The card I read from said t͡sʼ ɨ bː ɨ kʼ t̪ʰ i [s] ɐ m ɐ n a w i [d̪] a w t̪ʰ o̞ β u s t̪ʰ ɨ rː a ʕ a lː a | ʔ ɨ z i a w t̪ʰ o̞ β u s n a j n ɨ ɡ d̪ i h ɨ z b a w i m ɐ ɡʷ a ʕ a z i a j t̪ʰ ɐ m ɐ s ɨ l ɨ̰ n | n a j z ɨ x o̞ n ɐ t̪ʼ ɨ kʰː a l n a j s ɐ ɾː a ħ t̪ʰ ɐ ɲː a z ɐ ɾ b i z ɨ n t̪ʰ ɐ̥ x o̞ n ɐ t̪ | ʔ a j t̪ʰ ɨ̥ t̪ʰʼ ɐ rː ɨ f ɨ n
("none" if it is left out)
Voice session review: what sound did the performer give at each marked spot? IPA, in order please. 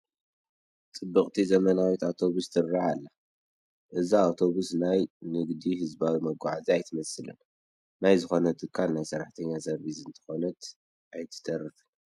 z, t̪

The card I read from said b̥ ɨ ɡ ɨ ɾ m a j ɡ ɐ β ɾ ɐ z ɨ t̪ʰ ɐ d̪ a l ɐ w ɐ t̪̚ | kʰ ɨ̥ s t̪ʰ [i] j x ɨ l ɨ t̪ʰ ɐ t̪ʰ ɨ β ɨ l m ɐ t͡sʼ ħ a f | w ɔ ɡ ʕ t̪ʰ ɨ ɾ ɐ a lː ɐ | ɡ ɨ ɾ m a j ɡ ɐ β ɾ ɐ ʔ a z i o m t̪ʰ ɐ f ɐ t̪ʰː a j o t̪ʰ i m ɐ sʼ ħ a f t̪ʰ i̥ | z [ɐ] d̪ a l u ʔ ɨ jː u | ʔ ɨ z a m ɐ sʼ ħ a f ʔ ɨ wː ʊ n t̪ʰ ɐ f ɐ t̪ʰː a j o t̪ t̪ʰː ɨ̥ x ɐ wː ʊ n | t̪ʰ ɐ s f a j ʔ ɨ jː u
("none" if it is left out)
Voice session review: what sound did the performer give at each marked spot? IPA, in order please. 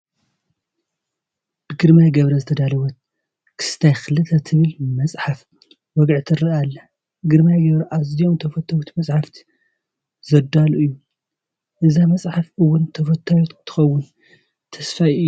a, ɐ

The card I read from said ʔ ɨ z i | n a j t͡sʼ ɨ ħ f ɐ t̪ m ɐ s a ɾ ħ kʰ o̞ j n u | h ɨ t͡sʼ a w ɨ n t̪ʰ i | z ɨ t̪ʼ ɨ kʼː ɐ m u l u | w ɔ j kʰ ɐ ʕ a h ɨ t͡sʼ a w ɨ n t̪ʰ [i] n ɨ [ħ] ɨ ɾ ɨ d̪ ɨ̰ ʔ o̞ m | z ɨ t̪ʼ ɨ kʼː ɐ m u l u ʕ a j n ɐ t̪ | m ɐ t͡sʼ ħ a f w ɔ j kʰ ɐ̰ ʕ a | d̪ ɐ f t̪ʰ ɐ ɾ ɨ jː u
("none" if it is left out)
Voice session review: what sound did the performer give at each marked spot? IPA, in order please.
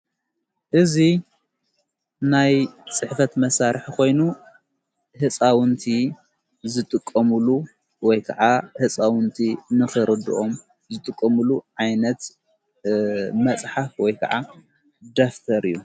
i, x

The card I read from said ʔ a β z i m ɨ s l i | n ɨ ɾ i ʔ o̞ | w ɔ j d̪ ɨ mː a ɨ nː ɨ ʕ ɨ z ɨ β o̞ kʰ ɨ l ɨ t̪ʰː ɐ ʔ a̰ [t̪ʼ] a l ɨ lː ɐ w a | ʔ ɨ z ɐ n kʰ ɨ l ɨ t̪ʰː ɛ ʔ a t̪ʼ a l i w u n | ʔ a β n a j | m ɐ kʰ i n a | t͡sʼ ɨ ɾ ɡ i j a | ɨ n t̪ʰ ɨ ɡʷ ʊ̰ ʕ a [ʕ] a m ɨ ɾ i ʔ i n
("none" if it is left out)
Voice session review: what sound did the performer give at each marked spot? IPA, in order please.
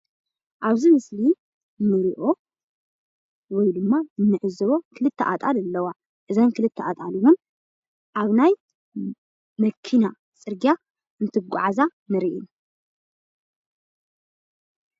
t̪ʼ, z

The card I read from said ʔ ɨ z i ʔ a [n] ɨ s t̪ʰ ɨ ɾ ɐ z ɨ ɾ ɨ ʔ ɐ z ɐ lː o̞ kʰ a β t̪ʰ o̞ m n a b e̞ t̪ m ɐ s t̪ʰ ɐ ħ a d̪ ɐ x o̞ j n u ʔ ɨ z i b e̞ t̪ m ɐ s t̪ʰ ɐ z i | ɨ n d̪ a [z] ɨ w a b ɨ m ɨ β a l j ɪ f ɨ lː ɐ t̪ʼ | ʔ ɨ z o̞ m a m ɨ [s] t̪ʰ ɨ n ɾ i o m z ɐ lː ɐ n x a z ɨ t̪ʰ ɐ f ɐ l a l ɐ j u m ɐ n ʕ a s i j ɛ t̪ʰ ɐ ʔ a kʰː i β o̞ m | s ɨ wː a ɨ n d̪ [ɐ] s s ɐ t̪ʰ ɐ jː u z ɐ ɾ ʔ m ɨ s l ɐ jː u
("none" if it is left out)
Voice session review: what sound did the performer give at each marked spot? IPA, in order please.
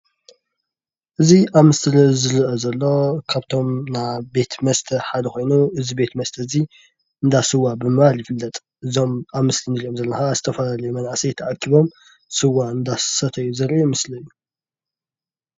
m, s, s, a

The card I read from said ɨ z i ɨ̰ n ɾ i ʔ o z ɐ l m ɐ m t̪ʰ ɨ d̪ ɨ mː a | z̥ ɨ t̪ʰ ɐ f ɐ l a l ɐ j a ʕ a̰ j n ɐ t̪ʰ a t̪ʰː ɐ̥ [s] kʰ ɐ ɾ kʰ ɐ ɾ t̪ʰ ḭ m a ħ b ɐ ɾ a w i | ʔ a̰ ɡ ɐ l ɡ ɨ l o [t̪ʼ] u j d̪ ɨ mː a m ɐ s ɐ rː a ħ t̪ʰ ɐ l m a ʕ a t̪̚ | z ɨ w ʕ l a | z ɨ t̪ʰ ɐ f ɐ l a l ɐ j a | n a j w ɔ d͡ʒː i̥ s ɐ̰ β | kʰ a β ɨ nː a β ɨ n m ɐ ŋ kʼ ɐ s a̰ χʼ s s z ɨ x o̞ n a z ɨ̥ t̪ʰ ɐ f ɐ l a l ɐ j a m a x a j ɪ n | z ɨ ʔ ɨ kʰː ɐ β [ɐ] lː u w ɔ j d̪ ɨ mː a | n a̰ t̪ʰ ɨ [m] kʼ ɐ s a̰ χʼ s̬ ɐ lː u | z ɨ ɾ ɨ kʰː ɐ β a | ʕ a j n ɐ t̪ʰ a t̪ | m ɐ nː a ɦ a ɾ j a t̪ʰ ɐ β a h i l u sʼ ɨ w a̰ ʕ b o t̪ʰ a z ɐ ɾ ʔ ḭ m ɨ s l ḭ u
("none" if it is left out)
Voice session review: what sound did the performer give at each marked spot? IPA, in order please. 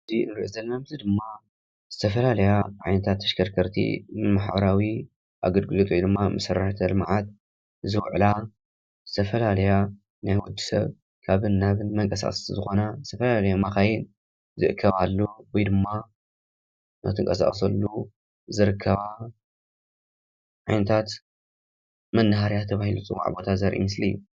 ʃ, t̪ʼ, a, ŋ

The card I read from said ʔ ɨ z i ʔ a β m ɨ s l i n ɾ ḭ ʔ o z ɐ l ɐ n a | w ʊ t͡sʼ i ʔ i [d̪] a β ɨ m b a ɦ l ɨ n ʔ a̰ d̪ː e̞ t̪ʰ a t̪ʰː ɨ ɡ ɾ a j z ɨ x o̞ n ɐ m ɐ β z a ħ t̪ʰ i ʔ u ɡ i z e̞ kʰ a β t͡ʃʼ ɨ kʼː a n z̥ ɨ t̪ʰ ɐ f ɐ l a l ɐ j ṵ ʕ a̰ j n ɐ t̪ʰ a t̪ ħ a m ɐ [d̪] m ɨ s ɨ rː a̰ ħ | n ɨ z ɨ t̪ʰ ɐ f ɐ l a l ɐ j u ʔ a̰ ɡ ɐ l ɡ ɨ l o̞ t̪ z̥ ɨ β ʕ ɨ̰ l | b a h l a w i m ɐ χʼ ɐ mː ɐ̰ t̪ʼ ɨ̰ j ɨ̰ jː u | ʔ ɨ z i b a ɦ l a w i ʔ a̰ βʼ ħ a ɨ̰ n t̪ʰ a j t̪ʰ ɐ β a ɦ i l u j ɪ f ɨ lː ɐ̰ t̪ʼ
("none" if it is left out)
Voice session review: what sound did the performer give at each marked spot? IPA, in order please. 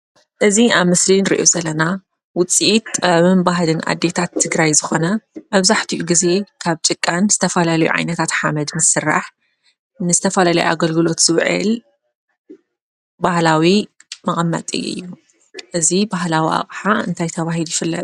t̪, d̪

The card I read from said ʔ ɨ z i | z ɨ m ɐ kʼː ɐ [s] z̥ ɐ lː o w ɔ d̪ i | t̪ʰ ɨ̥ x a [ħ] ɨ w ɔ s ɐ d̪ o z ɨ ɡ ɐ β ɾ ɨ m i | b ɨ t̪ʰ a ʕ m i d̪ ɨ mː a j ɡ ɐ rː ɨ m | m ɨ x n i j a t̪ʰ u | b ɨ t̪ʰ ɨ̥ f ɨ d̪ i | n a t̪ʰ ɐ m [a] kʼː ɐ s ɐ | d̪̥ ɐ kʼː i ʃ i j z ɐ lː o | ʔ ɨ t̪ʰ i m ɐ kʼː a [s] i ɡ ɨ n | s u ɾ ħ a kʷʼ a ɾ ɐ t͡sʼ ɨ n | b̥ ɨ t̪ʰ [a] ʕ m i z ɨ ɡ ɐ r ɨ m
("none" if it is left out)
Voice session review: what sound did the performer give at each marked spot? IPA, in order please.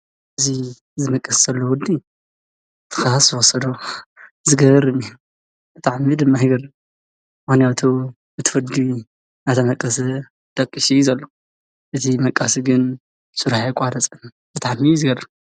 s, s, ɐ, s, a

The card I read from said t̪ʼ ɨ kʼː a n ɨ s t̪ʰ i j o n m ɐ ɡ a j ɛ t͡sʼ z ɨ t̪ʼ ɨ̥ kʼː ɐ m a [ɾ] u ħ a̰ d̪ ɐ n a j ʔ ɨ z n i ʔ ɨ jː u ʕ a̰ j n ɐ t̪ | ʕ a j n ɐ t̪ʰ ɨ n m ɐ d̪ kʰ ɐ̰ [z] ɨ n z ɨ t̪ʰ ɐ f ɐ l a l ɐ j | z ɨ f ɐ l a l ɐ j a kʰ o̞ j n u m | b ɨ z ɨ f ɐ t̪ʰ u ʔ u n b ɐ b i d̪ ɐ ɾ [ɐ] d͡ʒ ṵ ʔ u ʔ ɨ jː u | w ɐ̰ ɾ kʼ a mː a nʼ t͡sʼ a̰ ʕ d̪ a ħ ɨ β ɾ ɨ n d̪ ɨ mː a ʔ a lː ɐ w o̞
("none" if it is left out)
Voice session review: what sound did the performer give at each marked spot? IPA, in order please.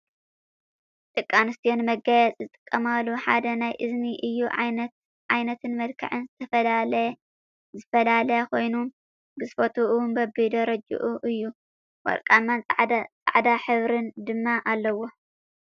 l, ʕ, ɐ

